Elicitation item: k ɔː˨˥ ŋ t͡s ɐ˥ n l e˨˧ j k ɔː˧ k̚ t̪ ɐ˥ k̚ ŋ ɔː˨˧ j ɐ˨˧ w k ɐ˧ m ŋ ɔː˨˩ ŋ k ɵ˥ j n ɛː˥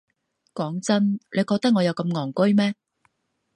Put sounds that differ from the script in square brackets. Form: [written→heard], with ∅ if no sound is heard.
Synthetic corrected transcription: k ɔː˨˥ ŋ t͡s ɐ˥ n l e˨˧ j k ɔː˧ k̚ t̪ ɐ˥ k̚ ŋ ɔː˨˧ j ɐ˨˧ w k ɐ˧ m ŋ ɔː˨˩ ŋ k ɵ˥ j [n→m] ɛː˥